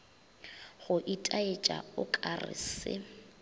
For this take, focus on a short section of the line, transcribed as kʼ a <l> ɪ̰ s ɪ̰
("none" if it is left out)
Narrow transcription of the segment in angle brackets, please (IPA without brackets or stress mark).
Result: r